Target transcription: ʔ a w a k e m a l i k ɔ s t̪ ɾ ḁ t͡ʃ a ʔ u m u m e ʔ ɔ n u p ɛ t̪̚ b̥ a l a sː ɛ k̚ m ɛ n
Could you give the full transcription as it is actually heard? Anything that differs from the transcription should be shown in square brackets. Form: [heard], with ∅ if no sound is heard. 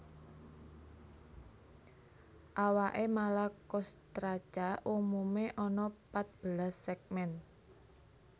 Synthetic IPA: ʔ a w a [ʔ] e m a l [a] k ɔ s t̪ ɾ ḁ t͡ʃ a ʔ u m u m e ʔ ɔ n [ɔ] p [a] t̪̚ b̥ [ə] l a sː ɛ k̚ m ɛ n